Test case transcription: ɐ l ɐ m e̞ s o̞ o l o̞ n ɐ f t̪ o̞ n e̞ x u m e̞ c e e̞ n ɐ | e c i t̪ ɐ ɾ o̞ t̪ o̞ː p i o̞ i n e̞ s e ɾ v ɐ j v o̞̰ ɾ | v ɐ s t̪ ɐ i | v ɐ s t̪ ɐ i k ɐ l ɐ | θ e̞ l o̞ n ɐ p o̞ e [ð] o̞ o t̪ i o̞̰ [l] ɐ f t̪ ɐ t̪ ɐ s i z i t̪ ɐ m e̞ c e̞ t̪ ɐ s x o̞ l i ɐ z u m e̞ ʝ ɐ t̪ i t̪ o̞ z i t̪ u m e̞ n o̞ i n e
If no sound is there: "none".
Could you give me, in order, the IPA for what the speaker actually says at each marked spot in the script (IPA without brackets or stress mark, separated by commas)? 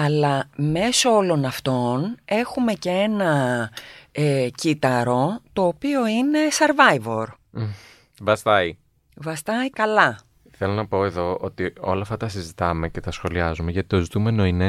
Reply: ð, l